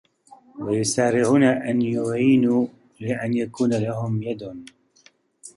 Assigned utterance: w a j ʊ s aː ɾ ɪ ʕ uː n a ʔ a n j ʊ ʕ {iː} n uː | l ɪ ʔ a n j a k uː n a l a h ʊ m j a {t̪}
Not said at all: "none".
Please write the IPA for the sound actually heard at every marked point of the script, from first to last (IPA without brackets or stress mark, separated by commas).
iː, d̪